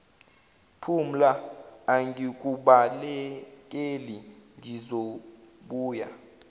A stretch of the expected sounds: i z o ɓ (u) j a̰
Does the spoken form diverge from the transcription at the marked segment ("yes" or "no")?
yes